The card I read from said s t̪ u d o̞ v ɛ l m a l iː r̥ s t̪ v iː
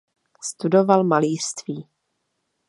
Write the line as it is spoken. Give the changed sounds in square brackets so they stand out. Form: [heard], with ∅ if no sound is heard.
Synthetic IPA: s t̪ u d o̞ v [a] l m a l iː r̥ s t̪ v iː